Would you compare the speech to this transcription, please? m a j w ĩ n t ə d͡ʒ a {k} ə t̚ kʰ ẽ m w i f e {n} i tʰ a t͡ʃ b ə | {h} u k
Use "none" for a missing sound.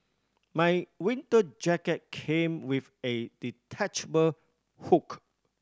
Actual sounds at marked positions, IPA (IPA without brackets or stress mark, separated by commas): k, d, h